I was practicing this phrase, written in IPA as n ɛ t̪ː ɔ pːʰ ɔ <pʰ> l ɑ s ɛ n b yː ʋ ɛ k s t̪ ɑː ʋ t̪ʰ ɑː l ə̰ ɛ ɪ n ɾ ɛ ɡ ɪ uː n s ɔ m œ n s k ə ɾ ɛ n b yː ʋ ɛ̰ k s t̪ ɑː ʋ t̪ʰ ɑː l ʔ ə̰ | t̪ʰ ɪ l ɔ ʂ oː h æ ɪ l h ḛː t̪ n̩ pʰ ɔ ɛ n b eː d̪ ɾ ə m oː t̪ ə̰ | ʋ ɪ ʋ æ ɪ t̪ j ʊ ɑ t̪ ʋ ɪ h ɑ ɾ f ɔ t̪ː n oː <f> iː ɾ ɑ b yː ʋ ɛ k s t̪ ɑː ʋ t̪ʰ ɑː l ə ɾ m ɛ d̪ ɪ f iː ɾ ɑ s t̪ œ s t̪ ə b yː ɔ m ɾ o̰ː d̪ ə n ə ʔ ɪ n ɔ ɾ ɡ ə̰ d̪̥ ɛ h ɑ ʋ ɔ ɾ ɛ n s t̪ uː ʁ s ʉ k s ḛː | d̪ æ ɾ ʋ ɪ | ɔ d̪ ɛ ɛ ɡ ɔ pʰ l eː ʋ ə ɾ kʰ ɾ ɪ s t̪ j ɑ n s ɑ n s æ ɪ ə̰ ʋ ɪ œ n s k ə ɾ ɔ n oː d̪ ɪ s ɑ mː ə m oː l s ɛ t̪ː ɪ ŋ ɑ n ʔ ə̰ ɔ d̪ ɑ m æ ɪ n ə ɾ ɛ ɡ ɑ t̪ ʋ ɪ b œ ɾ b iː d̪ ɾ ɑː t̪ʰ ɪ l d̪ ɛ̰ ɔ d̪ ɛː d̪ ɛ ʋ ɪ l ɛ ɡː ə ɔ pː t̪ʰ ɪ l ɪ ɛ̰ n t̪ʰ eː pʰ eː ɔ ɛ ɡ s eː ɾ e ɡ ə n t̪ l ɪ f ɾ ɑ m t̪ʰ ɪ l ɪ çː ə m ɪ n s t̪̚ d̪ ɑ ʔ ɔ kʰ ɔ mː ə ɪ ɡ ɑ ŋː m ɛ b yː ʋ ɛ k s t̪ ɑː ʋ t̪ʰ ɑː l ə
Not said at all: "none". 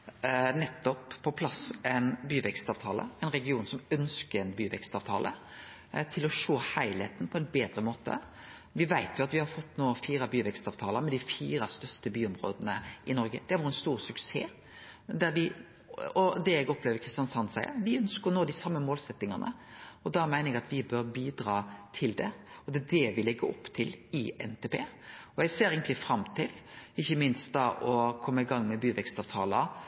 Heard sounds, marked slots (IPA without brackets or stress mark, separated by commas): pʰ, f